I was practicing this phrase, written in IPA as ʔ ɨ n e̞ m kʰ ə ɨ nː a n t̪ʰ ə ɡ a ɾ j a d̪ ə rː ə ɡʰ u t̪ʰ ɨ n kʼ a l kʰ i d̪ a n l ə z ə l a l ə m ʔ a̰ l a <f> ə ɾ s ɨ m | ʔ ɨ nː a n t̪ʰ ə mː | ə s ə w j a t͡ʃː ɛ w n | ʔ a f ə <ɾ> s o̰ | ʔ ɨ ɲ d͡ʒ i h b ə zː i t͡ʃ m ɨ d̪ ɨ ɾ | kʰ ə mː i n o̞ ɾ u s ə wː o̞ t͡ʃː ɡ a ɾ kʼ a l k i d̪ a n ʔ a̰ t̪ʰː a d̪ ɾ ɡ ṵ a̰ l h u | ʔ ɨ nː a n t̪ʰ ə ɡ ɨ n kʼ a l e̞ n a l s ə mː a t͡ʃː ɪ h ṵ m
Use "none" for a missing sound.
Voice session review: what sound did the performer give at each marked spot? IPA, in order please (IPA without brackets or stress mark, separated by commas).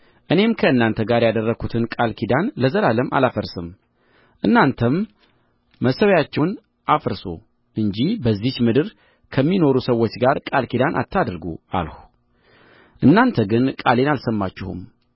f, ɾ